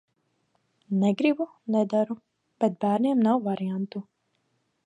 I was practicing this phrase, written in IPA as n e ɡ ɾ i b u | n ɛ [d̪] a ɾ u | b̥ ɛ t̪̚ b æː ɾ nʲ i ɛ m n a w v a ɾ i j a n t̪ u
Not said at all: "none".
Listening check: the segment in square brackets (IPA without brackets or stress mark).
d̪